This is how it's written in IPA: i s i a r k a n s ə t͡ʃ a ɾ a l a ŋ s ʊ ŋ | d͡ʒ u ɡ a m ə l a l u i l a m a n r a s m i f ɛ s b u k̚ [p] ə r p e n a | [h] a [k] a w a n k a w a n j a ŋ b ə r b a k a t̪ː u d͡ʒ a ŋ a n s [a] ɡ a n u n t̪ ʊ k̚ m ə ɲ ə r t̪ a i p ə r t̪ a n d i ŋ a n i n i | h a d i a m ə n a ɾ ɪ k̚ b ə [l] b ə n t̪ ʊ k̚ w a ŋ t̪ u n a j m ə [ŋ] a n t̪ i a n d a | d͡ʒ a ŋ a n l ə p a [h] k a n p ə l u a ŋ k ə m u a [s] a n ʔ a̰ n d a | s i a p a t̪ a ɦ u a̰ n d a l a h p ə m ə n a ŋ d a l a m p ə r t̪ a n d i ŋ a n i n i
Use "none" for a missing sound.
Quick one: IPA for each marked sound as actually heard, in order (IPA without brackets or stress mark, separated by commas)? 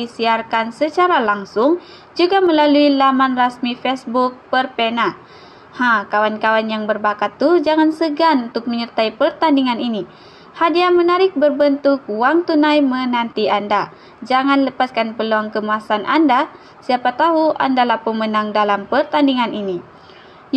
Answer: p, h, k, ə, r, n, s, s